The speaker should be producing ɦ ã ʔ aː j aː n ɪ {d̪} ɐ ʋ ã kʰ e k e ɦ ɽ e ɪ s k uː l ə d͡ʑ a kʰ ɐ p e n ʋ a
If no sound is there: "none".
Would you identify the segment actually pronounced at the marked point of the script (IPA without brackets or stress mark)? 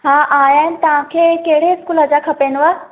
t̪